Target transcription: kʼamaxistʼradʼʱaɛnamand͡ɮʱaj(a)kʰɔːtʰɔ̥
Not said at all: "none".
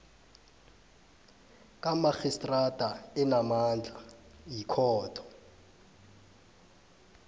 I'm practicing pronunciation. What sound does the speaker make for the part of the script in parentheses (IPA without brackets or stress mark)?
i